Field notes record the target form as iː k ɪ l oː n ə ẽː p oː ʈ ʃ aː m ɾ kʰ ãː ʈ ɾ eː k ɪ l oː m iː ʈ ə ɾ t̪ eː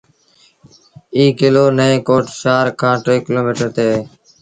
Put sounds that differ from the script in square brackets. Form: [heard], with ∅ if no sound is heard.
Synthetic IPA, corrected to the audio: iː k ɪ l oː n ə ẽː [k] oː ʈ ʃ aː [∅] ɾ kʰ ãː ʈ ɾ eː k ɪ l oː m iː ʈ ə ɾ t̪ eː